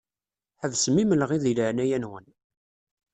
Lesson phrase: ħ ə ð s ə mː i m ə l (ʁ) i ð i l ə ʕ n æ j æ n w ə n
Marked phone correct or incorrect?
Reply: correct